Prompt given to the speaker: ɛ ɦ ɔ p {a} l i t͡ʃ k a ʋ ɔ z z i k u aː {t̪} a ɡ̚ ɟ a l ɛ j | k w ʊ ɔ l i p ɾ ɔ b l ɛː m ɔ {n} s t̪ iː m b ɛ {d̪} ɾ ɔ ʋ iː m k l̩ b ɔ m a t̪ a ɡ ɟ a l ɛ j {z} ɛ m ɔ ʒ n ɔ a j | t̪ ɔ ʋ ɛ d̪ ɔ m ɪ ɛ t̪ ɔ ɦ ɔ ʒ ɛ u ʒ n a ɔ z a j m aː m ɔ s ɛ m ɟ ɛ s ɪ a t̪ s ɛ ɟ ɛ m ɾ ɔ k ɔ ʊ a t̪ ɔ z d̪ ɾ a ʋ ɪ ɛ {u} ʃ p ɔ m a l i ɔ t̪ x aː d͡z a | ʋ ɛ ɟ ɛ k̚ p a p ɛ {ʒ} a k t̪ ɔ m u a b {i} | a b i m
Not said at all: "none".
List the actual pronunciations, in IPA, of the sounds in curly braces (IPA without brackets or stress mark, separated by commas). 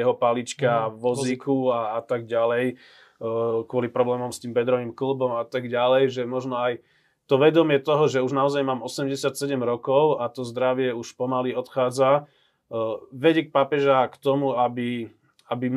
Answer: a, t̪, m, d̪, ʒ, u, ʒ, i